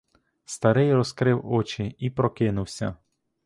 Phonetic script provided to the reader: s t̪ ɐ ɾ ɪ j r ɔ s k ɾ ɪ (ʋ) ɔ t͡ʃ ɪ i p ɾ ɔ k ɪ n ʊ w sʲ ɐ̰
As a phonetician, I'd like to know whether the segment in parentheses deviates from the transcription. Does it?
yes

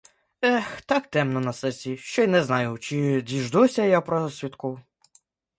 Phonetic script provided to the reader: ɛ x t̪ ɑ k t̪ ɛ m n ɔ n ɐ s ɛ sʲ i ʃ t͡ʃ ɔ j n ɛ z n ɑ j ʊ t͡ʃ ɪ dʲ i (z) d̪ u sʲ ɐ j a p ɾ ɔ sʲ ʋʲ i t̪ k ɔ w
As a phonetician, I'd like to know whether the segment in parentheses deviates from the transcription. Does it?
yes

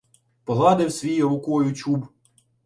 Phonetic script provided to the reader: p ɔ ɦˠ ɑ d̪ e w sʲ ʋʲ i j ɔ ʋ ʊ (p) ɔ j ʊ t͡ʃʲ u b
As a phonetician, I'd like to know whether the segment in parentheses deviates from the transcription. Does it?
yes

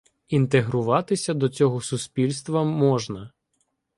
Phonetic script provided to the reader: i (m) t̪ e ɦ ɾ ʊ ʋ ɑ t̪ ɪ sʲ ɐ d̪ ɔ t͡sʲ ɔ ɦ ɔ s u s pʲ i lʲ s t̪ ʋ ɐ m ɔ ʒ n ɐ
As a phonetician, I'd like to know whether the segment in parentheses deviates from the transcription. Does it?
yes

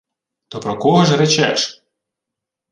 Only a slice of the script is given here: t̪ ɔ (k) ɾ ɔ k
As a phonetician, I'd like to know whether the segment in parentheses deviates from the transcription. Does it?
yes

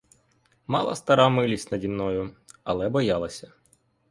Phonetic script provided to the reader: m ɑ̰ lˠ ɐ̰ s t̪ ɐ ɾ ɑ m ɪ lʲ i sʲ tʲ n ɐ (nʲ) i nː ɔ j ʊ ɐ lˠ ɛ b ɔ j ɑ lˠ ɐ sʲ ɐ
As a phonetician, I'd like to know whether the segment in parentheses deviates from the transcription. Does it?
yes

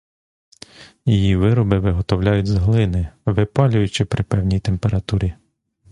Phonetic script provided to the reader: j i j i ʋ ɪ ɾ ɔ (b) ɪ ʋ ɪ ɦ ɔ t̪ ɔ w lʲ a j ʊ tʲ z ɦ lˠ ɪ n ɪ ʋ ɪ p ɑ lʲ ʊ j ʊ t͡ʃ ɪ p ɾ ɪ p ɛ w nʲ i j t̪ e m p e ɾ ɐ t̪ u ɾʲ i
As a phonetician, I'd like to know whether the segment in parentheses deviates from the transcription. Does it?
no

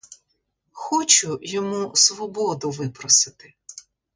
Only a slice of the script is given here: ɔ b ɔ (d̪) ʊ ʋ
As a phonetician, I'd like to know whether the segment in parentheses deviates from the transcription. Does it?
no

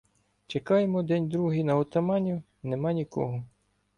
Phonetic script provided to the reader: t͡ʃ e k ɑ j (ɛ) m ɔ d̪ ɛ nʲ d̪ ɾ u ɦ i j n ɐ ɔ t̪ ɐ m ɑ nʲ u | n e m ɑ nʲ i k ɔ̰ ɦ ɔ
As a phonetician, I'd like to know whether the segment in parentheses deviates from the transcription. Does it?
yes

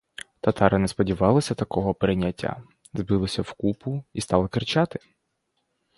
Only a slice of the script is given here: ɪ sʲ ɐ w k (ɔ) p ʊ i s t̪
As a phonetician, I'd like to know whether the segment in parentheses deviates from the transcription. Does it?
yes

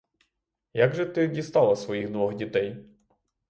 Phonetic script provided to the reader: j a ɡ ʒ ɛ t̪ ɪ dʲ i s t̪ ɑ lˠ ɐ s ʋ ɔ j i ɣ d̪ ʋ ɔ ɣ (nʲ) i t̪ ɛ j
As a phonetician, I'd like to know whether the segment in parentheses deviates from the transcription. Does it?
yes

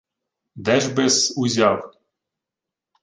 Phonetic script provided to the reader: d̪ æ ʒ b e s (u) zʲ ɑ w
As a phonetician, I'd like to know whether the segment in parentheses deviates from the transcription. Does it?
no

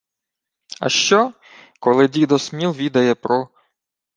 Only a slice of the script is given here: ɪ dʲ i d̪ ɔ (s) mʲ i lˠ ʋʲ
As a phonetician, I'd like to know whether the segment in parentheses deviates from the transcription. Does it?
no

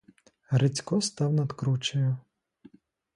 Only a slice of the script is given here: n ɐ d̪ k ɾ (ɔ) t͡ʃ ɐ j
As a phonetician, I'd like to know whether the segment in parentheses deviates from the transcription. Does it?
yes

